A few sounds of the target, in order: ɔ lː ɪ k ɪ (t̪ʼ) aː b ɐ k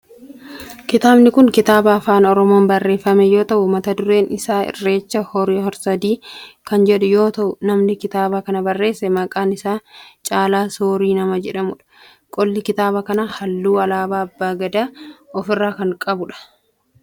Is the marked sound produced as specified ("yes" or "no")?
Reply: no